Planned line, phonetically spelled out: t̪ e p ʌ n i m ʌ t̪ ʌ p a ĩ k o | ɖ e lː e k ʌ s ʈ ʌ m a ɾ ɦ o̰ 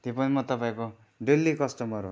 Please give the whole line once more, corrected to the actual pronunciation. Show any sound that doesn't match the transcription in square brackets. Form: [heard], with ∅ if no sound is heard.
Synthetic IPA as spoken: t̪ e p ʌ n i m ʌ t̪ ʌ p a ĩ k o | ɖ e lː [i] k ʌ s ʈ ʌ m [ʌ] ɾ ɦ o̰